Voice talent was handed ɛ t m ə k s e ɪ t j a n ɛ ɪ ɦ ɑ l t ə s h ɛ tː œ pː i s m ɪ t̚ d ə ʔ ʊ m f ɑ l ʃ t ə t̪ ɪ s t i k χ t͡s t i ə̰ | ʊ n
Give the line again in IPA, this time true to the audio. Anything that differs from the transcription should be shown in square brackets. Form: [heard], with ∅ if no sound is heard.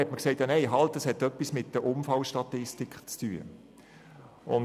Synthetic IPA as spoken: ɛ t m ə k s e ɪ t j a n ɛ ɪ ɦ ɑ l t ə s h ɛ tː œ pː i s m ɪ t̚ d ə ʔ ʊ m f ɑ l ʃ t [ɑ] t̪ ɪ s t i k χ t͡s t [y] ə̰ | ʊ n